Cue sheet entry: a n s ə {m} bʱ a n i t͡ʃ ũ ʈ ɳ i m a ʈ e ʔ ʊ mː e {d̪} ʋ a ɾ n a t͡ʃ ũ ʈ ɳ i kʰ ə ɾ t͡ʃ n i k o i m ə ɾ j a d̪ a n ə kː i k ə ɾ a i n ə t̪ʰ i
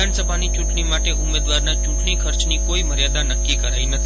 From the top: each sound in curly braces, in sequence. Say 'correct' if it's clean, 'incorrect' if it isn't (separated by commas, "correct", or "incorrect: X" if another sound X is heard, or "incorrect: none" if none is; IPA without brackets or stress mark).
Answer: incorrect: none, correct